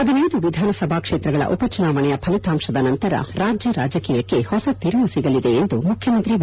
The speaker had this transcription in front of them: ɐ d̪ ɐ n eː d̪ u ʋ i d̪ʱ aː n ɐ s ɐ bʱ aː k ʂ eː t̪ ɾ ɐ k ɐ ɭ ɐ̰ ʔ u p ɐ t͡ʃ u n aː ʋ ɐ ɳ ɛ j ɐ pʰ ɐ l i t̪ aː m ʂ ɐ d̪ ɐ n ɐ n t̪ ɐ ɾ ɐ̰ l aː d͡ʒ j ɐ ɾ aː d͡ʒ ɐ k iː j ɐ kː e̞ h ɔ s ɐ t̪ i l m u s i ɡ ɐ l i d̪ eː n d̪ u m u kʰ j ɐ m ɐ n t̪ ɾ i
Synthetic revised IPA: ɐ d̪ ɐ n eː d̪ u ʋ i d̪ʱ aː n ɐ s ɐ bʱ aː k ʂ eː t̪ ɾ ɐ ɡ ɐ ɭ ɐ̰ ʔ u p ɐ t͡ʃ u n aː ʋ ɐ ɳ ɛ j ɐ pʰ ɐ l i t̪ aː m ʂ ɐ d̪ ɐ n ɐ n t̪ ɐ ɾ ɐ̰ ɾ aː d͡ʒ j ɐ ɾ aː d͡ʒ ɐ k iː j ɐ kː e̞ h ɔ s ɐ t̪ i ɾ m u s i ɡ ɐ l i d̪ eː n d̪ u m u kʰ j ɐ m ɐ n t̪ ɾ i

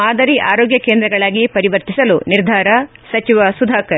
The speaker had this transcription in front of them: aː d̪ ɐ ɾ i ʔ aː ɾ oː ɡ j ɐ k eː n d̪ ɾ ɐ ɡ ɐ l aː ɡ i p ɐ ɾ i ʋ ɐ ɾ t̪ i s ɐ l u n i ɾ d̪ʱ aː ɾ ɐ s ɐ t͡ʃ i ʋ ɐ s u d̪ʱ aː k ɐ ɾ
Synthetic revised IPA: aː d̪ ɐ ɾ i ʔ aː ɾ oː ɡ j ɐ k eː n d̪ ɾ ɐ ɡ ɐ ɭ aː ɡ i p ɐ ɾ i ʋ ɐ ɾ t̪ i s ɐ l u n i ɾ d̪ʱ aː ɾ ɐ s ɐ t͡ʃ i ʋ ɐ s u d̪ʱ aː k ɐ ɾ

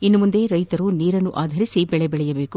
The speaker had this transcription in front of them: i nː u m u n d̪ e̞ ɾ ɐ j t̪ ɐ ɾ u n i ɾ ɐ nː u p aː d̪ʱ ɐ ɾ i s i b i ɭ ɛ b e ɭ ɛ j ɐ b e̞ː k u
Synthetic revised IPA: i nː u m u n d̪ e̞ ɾ ɐ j t̪ ɐ ɾ u n iː ɾ ɐ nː u ʔ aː d̪ʱ ɐ ɾ i s i b ɛ ɭ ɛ b ɛ ɭ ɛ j ɐ b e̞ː k u

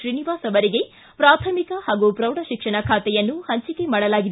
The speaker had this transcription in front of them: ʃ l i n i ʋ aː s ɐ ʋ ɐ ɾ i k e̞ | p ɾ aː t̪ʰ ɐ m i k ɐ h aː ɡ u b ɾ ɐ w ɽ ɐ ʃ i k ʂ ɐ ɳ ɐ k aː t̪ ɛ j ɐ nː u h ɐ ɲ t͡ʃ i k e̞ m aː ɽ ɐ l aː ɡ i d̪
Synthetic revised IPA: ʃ ɾ i n i ʋ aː s ɐ ʋ ɐ ɾ i ɡ e̞ | p ɾ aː t̪ʰ ɐ m i k ɐ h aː ɡ u p ɾ ɐ w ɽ ɐ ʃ i k ʂ ɐ ɳ ɐ kʰ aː t̪ ɛ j ɐ nː u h ɐ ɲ t͡ʃ i k e̞ m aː ɽ ɐ l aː ɡ i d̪

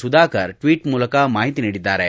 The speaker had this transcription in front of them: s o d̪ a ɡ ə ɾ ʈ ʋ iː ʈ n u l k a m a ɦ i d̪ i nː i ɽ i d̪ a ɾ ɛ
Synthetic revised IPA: s u d̪ a k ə ɾ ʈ ʋ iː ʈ m u l k a m a ɦ i t̪ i n i ɽ i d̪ a ɾ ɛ

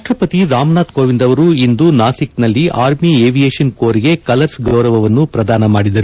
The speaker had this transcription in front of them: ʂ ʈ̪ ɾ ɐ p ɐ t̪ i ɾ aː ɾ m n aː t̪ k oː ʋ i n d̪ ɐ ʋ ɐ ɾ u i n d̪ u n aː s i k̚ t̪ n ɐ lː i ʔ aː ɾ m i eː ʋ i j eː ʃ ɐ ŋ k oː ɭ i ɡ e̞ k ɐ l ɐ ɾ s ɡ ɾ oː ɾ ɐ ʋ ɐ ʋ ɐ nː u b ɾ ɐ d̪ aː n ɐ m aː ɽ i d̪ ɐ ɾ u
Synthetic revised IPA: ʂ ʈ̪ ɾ ɐ p ɐ t̪ i ɾ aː m n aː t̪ k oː ʋ i n d̪ ɐ ʋ ɐ ɾ u i n d̪ u n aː s i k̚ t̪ n ɐ lː i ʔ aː ɾ m i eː ʋ i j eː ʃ ɐ n k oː ɾ i ɡ e̞ k ɐ l ɐ ɾ s ɡ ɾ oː ɾ ɐ ʋ ɐ ʋ ɐ nː u p ɾ ɐ d̪ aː n ɐ m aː ɽ i d̪ ɐ ɾ u

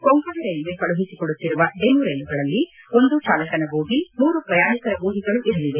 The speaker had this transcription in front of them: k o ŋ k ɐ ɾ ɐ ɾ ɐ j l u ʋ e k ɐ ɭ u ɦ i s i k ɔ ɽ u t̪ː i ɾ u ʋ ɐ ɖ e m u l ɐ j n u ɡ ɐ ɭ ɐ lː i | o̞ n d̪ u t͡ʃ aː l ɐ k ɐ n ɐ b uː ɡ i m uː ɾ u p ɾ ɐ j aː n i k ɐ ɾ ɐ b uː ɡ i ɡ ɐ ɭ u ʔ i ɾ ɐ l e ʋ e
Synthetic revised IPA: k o ŋ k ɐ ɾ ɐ ɾ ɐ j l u ʋ e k ɐ ɭ u ɦ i s i k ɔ ɽ u t̪ː i ɾ u ʋ ɐ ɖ e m u ɾ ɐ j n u ɡ ɐ ɭ ɐ lː i | o̞ n d̪ u t͡ʃ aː l ɐ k ɐ n ɐ b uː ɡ i m uː ɾ u p ɾ ɐ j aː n i k ɐ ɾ ɐ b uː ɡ i ɡ ɐ ɭ u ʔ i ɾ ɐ l i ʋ e

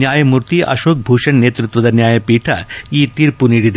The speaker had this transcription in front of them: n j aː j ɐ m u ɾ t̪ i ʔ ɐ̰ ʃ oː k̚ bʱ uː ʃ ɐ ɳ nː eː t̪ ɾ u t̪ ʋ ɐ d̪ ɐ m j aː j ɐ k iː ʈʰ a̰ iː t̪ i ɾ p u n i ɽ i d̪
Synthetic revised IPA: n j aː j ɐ m u ɾ t̪ i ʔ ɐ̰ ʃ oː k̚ bʱ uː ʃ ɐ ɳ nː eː t̪ ɾ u t̪ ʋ ɐ d̪ ɐ n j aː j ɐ p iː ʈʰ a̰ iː t̪ i ɾ p u n i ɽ i d̪

